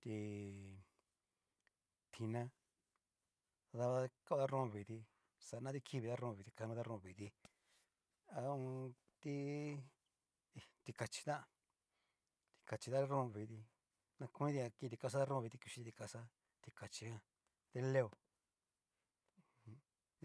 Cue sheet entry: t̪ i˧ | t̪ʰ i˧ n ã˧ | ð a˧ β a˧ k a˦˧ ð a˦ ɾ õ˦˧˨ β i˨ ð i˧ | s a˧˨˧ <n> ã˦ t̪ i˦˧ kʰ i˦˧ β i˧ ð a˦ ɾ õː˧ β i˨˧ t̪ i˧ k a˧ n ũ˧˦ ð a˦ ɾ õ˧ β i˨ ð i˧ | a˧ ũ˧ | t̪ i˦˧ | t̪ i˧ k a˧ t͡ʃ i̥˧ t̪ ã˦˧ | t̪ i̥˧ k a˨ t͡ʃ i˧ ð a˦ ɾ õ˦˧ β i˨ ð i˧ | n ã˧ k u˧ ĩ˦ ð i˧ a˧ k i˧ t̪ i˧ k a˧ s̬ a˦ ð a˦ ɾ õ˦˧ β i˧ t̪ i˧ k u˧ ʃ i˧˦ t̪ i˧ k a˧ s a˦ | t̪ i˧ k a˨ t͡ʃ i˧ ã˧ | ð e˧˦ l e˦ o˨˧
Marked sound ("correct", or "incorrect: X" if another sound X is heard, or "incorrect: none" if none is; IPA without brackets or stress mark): correct